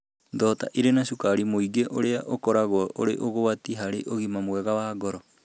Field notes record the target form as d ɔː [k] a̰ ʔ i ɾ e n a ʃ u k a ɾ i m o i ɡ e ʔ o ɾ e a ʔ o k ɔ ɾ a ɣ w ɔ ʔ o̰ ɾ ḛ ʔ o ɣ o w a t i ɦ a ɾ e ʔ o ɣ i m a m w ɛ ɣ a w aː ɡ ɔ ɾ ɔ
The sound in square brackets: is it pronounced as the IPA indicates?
no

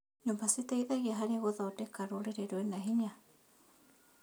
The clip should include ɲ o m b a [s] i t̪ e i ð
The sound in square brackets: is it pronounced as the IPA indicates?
yes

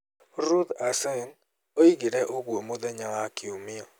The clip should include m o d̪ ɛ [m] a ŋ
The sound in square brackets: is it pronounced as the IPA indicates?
no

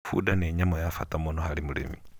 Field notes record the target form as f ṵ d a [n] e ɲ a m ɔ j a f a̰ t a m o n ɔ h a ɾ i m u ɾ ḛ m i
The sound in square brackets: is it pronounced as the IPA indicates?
yes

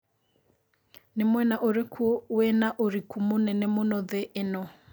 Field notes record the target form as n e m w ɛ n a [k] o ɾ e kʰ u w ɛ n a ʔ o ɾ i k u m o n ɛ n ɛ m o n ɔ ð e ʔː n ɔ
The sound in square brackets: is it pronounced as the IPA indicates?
no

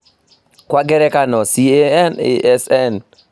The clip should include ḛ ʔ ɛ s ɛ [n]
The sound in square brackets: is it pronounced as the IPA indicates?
yes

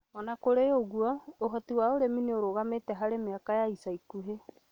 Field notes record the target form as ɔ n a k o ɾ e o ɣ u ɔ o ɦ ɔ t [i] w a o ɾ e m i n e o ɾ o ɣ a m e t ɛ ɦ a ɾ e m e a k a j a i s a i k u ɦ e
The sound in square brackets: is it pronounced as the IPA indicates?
yes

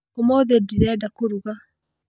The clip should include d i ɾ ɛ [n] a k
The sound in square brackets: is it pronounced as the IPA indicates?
no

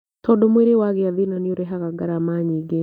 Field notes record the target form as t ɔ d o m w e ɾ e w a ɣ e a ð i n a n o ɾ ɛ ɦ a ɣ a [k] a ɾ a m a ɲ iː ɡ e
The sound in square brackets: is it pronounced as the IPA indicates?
no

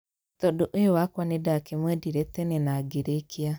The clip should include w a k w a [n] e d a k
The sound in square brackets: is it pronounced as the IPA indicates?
yes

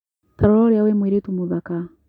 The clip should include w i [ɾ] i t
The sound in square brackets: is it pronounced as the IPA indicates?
yes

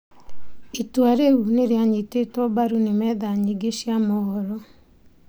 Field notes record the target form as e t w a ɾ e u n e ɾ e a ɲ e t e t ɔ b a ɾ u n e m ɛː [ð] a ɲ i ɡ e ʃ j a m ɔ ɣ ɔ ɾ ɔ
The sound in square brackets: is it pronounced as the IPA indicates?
yes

